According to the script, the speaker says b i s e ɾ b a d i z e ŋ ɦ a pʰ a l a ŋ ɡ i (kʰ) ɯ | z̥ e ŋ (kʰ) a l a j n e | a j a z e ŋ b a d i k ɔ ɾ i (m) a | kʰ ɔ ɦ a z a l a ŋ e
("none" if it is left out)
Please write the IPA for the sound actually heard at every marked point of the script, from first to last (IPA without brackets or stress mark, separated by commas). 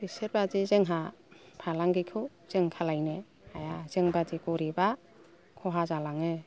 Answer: kʰ, kʰ, b